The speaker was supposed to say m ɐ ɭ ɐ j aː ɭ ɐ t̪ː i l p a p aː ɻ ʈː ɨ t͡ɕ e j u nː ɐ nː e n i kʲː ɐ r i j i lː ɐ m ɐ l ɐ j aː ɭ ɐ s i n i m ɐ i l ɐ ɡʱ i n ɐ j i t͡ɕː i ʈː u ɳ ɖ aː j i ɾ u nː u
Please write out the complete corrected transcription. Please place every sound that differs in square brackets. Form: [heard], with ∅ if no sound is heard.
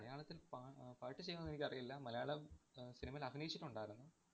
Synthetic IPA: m ɐ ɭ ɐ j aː ɭ ɐ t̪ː i l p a p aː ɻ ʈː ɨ t͡ɕ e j u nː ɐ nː e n i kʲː ɐ r i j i lː ɐ m ɐ l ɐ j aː ɭ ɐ s i n i m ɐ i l ɐ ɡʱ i n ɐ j i t͡ɕː i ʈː u ɳ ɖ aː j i ɾ u nː u